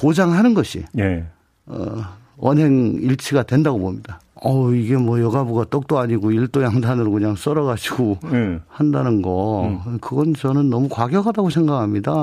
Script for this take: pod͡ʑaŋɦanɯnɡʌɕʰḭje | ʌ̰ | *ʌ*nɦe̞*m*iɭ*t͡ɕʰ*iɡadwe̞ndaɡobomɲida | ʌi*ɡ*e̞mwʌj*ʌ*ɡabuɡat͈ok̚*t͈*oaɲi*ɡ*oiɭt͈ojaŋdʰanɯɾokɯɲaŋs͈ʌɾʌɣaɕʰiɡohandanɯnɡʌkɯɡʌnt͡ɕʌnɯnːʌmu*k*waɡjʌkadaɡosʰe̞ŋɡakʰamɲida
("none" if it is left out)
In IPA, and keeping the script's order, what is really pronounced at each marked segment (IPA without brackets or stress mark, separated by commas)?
ʌ, ŋ, t͡ɕʰ, ɡ, ʌ, t͈, ɡ, k